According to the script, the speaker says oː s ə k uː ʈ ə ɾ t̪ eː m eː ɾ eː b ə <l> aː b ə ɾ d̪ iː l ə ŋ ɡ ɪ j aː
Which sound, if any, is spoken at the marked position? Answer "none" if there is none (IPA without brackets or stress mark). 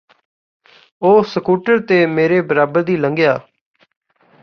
ɾ